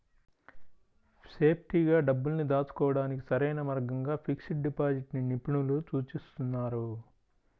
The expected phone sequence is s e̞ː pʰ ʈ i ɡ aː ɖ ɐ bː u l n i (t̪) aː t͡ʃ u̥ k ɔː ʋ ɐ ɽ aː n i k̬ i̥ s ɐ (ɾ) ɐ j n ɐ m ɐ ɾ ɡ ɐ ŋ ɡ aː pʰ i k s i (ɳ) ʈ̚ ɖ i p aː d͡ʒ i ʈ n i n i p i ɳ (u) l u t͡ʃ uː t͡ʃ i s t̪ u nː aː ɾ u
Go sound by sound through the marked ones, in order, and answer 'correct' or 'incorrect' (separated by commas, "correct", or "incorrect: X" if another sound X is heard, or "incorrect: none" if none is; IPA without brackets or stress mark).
incorrect: d̪, correct, incorrect: none, correct